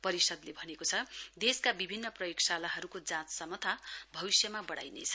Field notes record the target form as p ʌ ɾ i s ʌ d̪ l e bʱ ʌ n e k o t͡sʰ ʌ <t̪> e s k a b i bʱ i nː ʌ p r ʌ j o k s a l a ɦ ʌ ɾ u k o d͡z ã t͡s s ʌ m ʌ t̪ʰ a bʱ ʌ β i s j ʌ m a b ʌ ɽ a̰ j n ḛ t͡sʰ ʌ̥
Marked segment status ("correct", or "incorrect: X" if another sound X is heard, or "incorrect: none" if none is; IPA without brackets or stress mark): incorrect: d̪